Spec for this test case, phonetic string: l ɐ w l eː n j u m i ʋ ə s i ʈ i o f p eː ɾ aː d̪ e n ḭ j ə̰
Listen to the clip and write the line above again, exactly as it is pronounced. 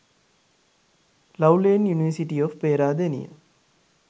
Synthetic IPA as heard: l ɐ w l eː n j u n i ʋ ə s i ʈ i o f p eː ɾ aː d̪ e n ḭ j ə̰